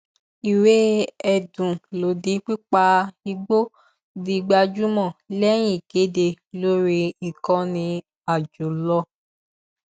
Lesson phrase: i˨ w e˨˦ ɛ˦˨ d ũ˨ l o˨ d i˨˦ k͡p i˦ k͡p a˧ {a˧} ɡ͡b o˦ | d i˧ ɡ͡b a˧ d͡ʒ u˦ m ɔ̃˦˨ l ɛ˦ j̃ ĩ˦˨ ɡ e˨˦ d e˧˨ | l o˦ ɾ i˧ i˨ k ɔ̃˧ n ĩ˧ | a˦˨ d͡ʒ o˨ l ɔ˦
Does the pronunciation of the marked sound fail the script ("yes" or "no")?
yes